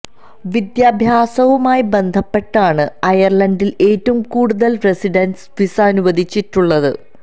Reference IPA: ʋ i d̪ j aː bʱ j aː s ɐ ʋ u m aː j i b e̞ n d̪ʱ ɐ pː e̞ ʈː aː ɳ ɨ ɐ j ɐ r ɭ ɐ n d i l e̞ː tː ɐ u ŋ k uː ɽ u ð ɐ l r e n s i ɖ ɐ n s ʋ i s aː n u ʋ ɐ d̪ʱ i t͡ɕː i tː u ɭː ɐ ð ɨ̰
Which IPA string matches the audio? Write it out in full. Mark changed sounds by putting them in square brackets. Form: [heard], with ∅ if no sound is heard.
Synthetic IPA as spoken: ʋ i d̪ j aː bʱ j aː s ɐ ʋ u m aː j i b e̞ n d̪ʱ ɐ pː e̞ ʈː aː ɳ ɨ ɐ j ɐ r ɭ ɐ n d i l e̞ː tː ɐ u [m] k uː ɽ u ð ɐ l r e [∅] s i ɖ ɐ n s ʋ i s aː n u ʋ ɐ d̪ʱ i t͡ɕː i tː u ɭː ɐ ð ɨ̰